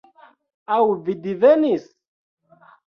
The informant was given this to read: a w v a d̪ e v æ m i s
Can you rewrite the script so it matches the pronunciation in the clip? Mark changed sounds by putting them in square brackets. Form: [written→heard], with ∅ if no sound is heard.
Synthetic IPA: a w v [a→i] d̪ [e→i] v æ [m→n] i s